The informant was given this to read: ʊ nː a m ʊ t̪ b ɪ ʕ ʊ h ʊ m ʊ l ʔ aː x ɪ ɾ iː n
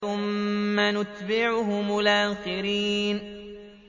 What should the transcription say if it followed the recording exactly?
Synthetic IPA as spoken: ʊ mː a n ʊ t̪ b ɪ ʕ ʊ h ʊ m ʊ l ʔ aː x ɪ ɾ iː n